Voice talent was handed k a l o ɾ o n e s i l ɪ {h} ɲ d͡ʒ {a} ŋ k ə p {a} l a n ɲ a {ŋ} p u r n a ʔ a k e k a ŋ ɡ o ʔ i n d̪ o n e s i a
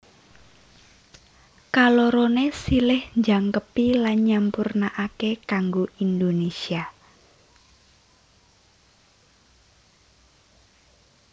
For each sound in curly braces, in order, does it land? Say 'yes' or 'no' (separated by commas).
yes, yes, no, no